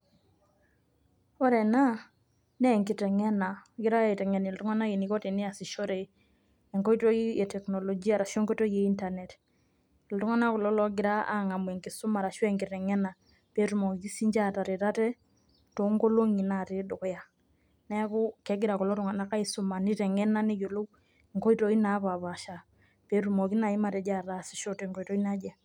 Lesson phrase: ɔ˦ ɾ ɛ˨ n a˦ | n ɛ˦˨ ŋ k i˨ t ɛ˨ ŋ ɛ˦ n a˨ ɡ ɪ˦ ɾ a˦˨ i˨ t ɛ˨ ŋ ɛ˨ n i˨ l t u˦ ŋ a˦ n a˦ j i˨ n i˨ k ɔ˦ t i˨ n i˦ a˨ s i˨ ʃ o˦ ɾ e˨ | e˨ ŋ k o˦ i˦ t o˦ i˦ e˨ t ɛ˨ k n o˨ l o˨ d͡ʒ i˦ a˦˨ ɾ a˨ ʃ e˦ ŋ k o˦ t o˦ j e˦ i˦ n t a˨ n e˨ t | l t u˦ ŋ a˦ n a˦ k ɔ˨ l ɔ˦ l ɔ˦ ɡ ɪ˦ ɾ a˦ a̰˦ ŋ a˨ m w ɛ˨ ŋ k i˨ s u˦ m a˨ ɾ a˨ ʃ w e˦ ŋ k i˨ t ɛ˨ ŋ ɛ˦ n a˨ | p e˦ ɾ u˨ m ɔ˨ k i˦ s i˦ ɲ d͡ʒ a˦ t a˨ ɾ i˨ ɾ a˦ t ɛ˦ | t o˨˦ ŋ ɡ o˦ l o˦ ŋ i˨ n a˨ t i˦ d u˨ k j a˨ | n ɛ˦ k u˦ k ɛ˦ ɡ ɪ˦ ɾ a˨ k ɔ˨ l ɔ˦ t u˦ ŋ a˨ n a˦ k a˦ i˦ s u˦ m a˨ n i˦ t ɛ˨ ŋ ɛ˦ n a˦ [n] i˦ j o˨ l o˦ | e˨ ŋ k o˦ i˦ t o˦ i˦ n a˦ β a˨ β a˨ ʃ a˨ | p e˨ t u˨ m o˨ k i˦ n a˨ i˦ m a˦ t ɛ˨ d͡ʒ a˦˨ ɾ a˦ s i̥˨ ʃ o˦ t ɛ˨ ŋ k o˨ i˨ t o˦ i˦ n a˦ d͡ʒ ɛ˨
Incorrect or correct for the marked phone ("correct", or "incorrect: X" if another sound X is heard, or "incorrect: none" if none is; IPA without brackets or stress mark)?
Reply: correct